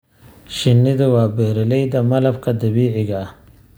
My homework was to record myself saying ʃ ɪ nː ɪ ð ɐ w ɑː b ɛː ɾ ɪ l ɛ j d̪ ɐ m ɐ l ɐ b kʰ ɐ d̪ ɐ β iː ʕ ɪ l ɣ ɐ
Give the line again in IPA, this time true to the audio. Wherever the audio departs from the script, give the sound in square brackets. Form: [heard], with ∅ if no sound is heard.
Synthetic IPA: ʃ ɪ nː ɪ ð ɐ w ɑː b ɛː ɾ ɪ l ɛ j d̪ ɐ m ɐ l ɐ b kʰ ɐ d̪ ɐ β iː ʕ ɪ [∅] ɣ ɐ